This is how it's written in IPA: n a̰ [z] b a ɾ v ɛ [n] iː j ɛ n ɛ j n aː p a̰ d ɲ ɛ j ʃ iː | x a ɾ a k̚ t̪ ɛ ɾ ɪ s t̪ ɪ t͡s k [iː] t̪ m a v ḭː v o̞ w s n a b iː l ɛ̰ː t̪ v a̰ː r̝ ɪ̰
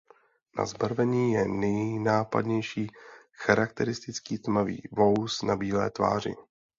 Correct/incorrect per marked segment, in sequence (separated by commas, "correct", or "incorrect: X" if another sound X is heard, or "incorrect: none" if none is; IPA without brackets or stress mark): correct, incorrect: ɲ, correct